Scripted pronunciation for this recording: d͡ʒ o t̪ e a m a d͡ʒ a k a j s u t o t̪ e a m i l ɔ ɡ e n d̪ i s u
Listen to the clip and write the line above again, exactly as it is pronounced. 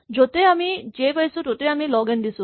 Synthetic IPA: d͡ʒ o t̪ e a m i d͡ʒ e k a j s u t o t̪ e a m i l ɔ ɡ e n d̪ i s u